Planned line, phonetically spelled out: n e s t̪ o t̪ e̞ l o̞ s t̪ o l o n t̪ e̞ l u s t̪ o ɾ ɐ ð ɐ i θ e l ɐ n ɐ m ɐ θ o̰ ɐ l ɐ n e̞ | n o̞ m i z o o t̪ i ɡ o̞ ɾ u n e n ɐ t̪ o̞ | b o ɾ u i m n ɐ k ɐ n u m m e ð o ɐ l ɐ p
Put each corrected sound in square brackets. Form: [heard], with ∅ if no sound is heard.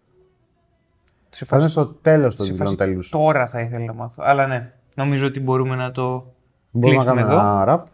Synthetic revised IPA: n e s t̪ o t̪ e̞ l o̞ s t̪ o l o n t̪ e̞ l u s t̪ o ɾ ɐ [θ] ɐ i θ e l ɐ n ɐ m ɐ θ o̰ ɐ l ɐ n e̞ | n o̞ m i z o o t̪ i [b] o̞ ɾ u [m] e n ɐ t̪ o̞ | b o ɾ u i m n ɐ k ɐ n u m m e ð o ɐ [ɾ] ɐ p